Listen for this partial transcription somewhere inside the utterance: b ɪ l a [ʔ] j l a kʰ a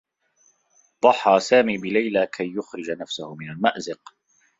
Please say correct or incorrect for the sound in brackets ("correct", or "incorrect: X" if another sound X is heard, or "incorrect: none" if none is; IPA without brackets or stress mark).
incorrect: none